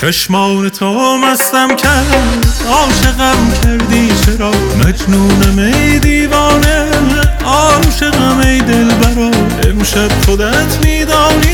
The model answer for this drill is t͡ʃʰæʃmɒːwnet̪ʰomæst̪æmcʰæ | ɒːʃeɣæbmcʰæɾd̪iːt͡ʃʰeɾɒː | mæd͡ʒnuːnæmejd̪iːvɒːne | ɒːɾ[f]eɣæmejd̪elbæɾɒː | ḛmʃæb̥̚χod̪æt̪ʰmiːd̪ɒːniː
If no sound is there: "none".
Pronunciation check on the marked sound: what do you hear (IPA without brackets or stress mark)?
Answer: ʃ